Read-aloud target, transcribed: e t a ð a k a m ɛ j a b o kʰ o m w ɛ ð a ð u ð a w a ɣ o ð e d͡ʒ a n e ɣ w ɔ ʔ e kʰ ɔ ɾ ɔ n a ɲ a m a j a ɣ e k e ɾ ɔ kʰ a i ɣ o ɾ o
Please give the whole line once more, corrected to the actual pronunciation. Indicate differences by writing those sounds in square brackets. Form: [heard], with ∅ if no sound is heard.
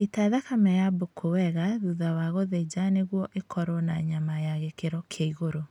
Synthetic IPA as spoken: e t a ð a k a m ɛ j a b o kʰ o [∅] w ɛ [ɣ] a ð u ð a w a ɣ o ð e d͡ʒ a n e ɣ w ɔ ʔ e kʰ ɔ ɾ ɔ n a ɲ a m a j a ɣ e k e ɾ ɔ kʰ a i ɣ o ɾ o